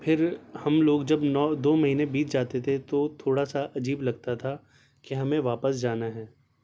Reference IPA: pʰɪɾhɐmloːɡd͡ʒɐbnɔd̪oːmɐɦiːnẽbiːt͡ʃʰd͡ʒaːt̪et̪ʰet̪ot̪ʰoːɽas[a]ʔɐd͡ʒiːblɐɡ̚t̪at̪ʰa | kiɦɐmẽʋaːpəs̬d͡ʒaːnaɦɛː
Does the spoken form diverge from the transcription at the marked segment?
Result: no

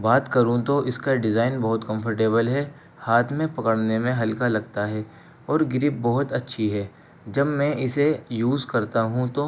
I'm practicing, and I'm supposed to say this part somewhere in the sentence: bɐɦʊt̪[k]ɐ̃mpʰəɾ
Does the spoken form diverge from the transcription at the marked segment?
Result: no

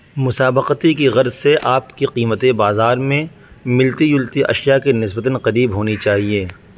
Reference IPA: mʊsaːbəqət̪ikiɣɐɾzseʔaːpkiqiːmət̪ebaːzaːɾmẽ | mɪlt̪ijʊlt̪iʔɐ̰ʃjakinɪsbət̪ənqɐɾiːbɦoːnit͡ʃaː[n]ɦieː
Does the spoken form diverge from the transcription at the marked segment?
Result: yes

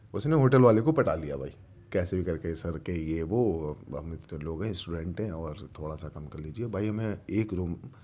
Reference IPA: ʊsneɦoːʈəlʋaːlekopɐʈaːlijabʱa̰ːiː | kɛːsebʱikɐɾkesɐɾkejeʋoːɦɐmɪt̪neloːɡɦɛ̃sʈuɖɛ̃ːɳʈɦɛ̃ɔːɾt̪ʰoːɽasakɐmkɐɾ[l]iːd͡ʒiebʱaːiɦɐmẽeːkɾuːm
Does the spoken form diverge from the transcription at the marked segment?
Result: no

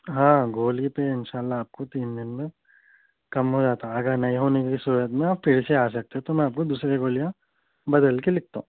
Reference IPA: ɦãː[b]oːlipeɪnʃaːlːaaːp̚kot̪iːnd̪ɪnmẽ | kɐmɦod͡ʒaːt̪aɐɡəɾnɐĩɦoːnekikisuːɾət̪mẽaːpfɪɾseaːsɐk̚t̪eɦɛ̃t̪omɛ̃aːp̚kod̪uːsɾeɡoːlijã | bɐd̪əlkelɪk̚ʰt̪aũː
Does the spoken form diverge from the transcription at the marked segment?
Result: yes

